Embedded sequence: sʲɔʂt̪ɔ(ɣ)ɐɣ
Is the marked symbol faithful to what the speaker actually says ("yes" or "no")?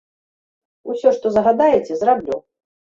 no